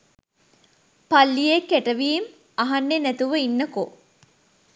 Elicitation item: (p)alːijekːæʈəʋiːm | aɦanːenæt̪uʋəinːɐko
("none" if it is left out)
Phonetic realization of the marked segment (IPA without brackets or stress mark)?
p